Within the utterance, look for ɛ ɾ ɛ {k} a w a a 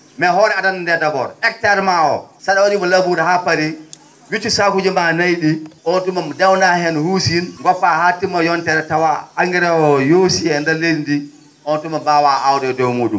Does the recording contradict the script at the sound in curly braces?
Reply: yes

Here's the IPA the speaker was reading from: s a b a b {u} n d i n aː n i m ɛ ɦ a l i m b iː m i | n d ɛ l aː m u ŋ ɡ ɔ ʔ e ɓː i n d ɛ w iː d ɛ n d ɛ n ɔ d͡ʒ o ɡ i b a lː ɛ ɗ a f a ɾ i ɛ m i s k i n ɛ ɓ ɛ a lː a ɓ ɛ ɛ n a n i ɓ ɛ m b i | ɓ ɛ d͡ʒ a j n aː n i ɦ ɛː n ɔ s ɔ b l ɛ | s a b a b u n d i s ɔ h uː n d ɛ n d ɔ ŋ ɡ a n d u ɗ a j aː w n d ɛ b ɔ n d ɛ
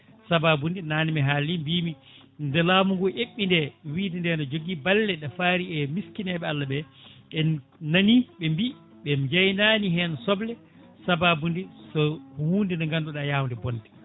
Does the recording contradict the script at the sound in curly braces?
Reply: no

